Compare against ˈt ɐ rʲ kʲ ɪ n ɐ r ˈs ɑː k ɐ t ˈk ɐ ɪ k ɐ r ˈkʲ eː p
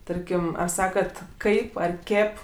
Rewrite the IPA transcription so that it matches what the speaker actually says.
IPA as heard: ˈt ɐ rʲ kʲ ɪ m ɐ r ˈs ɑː k ɐ t ˈk ɐ ɪ p ɐ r ˈkʲ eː p